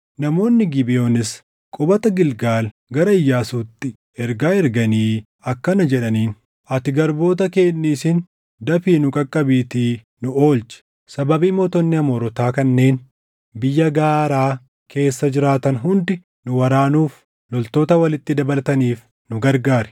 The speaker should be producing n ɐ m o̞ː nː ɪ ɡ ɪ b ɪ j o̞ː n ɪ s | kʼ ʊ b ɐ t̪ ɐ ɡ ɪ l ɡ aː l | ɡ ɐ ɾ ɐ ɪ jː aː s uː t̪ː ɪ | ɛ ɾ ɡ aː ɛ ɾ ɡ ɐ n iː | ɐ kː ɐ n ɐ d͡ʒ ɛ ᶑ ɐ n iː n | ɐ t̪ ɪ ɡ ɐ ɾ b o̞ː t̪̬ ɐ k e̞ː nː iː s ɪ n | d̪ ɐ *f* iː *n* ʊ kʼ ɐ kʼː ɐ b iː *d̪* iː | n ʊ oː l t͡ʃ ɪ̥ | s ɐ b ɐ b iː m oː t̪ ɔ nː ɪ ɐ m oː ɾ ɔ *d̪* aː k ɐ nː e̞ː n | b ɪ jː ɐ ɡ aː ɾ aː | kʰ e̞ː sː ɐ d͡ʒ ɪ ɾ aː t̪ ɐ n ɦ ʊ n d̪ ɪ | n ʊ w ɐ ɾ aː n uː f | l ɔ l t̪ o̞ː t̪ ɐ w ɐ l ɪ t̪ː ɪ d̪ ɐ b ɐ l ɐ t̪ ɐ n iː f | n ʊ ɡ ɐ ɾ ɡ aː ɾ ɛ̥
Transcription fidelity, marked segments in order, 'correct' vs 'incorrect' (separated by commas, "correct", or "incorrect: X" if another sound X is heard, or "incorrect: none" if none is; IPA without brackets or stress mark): correct, correct, incorrect: t̪, incorrect: t̪